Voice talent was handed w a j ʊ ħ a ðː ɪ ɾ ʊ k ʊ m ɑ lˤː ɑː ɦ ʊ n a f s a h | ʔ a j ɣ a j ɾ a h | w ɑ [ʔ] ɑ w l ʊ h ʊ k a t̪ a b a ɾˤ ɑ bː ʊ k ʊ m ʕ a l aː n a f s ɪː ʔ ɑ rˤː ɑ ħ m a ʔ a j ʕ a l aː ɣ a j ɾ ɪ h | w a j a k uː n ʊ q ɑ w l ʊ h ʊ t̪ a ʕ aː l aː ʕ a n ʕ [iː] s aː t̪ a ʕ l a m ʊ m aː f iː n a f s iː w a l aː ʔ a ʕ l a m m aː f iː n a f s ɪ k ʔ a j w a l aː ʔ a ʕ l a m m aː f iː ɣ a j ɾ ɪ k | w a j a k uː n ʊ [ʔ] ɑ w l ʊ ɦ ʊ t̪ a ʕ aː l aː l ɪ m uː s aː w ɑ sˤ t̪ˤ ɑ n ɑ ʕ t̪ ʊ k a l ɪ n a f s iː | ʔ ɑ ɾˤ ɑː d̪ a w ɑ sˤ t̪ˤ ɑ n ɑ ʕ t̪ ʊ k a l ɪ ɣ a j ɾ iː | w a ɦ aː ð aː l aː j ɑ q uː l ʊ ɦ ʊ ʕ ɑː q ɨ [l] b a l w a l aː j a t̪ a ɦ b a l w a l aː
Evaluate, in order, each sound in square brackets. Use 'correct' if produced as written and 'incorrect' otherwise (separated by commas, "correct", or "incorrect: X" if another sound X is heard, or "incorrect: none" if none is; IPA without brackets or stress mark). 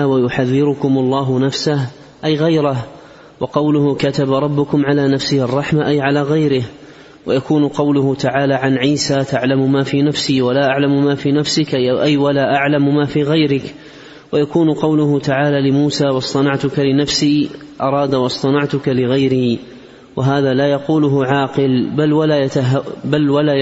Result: incorrect: q, correct, incorrect: q, correct